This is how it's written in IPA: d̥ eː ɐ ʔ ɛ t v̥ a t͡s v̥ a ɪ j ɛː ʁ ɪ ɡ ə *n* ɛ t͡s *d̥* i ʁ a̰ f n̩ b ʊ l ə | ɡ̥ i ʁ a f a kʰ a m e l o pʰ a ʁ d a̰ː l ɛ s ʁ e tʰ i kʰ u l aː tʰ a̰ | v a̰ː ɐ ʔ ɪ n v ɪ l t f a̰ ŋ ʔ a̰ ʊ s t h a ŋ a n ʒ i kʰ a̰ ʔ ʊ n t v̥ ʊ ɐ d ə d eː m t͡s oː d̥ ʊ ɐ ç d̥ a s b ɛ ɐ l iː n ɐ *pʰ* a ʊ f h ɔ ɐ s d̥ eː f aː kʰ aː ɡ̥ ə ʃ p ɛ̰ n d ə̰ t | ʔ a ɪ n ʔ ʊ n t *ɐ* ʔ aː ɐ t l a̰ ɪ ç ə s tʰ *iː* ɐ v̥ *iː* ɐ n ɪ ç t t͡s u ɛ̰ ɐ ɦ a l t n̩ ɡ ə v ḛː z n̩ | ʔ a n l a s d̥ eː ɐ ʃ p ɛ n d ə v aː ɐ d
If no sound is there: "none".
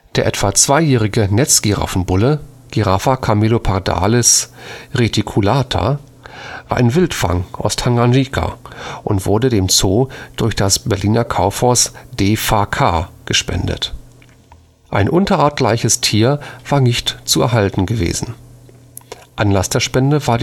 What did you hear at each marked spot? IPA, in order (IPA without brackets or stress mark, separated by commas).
n, ɡ̥, kʰ, ɐ, iː, aː